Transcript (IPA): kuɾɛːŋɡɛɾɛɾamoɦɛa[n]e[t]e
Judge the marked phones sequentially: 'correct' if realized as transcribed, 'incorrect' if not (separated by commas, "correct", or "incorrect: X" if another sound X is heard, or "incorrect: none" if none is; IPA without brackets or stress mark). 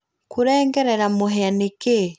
correct, incorrect: k